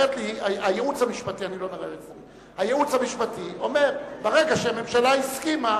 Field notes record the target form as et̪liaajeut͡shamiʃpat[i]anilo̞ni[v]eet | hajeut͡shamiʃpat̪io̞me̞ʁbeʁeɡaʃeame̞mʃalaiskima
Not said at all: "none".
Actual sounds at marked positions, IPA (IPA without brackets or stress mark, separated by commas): i, ʁ